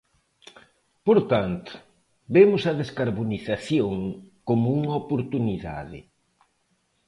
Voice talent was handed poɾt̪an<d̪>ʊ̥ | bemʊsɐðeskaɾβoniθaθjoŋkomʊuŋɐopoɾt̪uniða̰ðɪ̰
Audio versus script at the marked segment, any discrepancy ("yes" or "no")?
yes